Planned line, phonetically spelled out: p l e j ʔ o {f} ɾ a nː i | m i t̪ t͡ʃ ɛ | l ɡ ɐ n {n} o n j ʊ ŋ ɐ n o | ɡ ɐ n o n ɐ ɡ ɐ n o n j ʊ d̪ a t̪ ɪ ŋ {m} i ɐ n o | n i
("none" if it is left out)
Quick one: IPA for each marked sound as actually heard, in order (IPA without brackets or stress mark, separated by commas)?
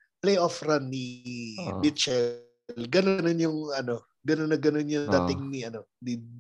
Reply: f, n, n